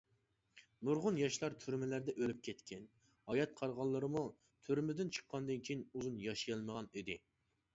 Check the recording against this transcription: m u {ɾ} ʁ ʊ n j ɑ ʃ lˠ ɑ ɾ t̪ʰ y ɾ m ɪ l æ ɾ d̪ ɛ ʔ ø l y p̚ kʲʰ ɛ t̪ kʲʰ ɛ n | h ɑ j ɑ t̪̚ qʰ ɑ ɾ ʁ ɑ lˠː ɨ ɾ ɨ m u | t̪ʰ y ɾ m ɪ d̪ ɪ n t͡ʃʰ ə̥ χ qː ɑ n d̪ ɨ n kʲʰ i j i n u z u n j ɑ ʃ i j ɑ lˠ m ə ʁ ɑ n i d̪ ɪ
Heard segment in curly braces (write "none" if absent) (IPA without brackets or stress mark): ɾ